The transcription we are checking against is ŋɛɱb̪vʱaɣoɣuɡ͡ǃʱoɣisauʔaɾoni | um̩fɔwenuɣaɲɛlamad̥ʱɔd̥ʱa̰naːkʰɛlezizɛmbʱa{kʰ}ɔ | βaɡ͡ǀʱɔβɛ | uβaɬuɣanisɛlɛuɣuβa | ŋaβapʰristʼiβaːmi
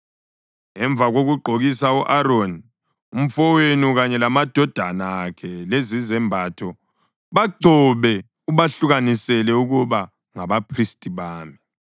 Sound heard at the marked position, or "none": tʰ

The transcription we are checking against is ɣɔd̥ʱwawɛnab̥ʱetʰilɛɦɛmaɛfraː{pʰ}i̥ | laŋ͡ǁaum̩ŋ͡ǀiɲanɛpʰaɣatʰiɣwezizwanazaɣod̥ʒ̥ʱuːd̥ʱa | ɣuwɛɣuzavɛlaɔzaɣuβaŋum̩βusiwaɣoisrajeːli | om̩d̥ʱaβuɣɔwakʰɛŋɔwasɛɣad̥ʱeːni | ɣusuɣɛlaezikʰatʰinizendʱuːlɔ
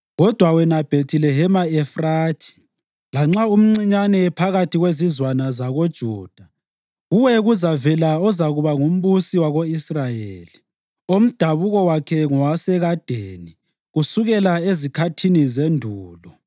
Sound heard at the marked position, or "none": tʰ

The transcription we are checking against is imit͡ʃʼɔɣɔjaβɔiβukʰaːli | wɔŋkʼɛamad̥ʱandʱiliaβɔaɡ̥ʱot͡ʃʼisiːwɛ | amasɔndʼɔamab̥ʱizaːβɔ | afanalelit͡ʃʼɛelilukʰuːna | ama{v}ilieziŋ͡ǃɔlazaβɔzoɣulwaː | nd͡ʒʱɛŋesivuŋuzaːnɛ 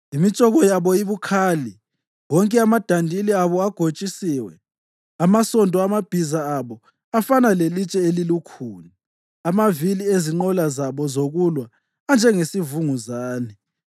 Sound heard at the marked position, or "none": v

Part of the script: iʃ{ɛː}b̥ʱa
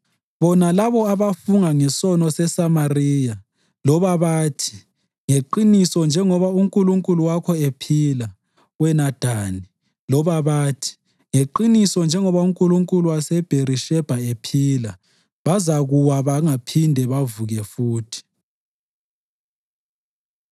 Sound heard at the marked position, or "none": ɛ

